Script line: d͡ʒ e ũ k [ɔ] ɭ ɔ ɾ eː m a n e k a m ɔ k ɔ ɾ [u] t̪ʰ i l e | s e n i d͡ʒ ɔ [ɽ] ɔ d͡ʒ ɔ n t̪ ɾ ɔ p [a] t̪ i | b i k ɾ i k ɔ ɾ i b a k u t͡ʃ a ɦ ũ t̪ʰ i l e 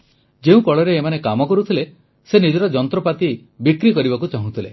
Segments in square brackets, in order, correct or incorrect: correct, correct, incorrect, correct

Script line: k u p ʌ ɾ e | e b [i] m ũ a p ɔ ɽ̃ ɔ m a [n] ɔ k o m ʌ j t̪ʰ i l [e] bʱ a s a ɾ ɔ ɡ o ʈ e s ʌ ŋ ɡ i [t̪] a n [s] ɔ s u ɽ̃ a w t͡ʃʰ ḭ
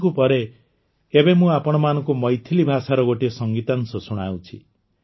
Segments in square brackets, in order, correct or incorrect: incorrect, correct, incorrect, correct, correct

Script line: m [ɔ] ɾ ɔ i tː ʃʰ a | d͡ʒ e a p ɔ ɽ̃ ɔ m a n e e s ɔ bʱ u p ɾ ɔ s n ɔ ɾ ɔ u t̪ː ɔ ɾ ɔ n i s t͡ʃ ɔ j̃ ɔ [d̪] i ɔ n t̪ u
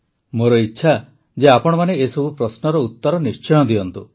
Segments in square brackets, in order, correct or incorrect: incorrect, correct

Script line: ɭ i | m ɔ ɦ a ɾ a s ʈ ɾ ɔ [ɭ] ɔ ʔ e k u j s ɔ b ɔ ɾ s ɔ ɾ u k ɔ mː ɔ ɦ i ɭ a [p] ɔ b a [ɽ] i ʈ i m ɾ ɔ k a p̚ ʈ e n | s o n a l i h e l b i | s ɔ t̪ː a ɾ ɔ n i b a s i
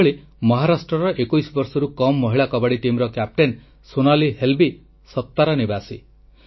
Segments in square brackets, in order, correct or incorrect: incorrect, incorrect, correct

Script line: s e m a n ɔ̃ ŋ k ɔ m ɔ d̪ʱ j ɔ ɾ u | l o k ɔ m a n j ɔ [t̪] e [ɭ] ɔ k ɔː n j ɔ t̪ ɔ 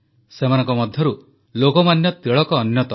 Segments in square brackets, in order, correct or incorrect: correct, correct

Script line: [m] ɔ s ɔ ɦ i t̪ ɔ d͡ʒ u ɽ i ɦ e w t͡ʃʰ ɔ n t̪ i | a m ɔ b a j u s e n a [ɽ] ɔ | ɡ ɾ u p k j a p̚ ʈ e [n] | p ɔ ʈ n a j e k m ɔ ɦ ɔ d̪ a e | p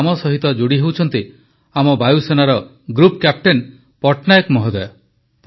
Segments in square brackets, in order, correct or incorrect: correct, incorrect, correct

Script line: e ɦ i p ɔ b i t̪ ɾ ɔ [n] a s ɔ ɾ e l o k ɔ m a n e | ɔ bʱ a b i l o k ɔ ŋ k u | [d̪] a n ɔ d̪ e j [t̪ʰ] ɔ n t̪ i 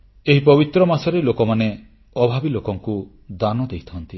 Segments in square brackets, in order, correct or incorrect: incorrect, correct, correct

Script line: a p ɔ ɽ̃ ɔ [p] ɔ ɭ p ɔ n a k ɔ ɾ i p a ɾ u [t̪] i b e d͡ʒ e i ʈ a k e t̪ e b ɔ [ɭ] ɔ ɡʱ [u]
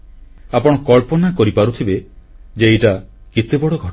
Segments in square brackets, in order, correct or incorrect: incorrect, incorrect, incorrect, incorrect

